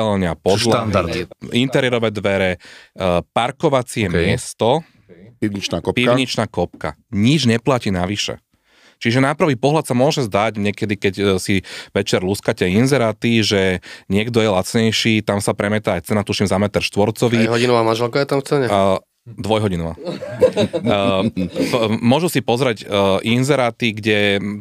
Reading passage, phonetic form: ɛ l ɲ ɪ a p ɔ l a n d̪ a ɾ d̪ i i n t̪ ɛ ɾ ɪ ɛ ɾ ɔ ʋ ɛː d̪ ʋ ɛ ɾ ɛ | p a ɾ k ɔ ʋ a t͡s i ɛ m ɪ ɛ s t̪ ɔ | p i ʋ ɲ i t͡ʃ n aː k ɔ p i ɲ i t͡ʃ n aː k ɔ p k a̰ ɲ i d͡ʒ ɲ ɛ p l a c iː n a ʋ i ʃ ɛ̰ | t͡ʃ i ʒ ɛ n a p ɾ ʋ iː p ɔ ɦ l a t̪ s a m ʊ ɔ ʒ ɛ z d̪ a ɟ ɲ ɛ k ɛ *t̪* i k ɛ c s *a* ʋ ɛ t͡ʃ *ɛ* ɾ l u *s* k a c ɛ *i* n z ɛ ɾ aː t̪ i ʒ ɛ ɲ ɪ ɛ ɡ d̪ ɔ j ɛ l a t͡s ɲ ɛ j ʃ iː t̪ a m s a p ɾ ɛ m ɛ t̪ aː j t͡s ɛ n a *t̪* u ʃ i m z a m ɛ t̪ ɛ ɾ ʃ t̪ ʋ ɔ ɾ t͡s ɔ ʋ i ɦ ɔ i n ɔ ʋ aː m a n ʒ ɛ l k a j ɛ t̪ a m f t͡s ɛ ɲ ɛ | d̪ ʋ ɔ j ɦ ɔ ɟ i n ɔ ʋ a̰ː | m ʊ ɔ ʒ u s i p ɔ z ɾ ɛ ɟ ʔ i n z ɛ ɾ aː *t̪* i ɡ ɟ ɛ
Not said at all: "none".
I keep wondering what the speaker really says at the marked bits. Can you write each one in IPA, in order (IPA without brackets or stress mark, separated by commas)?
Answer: d̪, i, ɛ, s, i, t̪, t̪